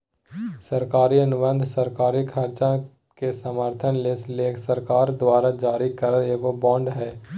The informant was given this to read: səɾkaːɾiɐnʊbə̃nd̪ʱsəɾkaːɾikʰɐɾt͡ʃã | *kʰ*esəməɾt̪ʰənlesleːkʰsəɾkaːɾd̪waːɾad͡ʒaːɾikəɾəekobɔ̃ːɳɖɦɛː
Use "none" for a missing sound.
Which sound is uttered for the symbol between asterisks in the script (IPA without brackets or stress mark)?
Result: k